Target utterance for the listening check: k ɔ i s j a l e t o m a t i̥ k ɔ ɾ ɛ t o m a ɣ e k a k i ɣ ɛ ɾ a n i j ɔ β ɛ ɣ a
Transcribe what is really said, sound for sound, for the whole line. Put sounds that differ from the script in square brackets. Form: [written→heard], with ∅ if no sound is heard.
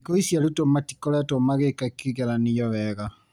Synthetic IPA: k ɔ i s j a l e t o m a t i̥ k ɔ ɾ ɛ t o m a ɣ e k a k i ɣ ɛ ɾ a n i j ɔ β ɛ ɣ a